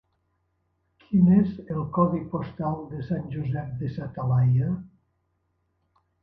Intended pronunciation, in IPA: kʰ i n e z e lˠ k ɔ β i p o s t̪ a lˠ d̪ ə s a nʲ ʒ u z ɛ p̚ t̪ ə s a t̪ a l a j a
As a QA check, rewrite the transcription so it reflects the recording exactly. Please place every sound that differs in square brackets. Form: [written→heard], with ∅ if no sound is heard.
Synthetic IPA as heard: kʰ i n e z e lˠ k ɔ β i p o s t̪ a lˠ d̪ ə s a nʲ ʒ u z ɛ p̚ [t̪→d̪] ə s a t̪ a l a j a

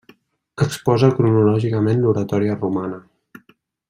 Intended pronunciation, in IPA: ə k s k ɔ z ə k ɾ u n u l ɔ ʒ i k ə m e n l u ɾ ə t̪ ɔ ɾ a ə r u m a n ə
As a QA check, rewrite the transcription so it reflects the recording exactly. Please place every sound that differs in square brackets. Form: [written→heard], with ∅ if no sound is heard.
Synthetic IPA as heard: ə k s [k→p] ɔ z ə k ɾ u n u l ɔ ʒ i k ə m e n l u ɾ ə t̪ ɔ ɾ [a→i] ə r u m a n ə

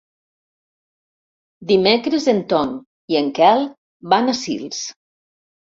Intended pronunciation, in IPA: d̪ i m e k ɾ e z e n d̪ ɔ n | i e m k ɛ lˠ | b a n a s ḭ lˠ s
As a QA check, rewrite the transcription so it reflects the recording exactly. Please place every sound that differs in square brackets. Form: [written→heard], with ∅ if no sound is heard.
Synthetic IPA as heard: d̪ i m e k ɾ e z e n [d̪→t̪] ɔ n | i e [m→ŋ] k ɛ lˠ | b a n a s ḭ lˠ s

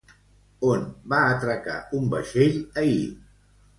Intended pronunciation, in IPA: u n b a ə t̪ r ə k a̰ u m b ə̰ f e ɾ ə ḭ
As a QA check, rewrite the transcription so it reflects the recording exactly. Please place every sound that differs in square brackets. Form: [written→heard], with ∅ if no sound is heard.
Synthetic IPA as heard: [u→o] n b a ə t̪ [r→ɾ] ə k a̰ u m b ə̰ [f→ʃ] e [ɾ→ʎ] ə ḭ

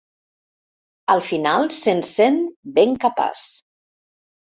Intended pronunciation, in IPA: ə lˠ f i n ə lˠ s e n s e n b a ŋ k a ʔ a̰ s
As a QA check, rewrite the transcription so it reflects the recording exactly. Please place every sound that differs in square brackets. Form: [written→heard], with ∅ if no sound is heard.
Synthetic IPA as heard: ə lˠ f i n [ə→a] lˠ s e n s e n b [a→e] ŋ k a [ʔ→p] a̰ s

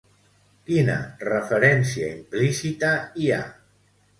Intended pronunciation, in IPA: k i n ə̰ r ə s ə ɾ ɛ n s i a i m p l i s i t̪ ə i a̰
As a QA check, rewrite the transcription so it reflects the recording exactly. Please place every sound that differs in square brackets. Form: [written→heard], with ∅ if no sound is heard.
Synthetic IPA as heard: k i n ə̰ r ə [s→f] ə ɾ ɛ n s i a i m p l i s i t̪ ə i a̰

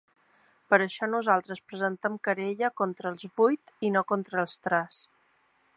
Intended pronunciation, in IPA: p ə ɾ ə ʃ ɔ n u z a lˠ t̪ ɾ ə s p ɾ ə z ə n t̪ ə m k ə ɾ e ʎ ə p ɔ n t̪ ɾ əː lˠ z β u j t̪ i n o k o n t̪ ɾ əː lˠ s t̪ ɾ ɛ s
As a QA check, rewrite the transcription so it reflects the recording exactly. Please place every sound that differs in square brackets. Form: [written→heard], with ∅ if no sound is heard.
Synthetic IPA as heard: p ə ɾ ə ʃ ɔ n u z a lˠ t̪ ɾ ə s p ɾ ə z ə n t̪ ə m k ə ɾ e ʎ ə [p→k] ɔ n t̪ ɾ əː lˠ z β u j t̪ i n o k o n t̪ ɾ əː lˠ s t̪ ɾ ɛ s

